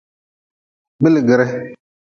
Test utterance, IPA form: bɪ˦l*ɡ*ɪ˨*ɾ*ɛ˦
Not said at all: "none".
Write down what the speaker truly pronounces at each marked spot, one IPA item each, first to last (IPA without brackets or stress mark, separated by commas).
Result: ɡ, ɾ